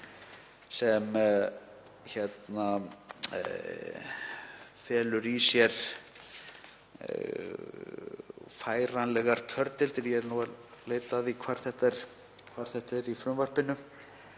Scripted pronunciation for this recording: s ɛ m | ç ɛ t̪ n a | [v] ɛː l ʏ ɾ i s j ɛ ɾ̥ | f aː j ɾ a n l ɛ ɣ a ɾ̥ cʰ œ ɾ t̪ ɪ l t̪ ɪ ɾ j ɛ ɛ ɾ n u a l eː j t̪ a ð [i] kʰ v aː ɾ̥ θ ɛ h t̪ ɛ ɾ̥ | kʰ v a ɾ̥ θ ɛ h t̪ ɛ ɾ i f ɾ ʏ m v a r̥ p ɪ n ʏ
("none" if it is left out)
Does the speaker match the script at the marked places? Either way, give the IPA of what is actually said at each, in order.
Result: f, i

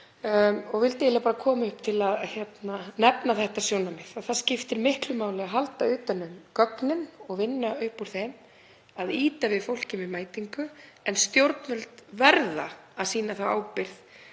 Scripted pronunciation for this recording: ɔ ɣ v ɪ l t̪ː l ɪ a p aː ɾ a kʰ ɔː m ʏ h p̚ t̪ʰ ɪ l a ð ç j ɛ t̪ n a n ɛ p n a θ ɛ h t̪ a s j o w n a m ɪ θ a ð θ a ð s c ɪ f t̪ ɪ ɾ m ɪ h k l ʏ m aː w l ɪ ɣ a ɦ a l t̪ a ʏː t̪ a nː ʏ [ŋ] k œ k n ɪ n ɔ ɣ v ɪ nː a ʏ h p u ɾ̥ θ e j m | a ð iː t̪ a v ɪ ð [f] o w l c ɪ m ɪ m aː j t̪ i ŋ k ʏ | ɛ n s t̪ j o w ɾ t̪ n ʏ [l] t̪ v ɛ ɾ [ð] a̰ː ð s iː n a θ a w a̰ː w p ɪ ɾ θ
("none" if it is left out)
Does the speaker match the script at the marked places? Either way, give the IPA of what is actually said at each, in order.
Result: m, f, l, ð

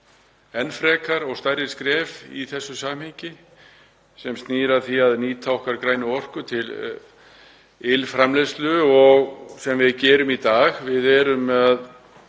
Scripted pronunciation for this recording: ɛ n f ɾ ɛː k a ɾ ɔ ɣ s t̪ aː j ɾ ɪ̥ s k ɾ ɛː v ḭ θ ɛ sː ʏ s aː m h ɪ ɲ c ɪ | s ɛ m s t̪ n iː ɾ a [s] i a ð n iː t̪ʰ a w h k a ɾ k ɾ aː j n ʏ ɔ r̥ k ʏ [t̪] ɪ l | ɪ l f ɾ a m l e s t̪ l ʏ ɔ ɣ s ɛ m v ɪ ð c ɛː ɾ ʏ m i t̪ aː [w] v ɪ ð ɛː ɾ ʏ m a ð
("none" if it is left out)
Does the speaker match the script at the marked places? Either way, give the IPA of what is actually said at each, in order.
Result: θ, t̪ʰ, ɣ

